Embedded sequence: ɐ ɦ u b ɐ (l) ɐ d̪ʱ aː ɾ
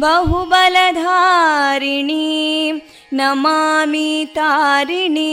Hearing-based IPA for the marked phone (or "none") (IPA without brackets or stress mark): l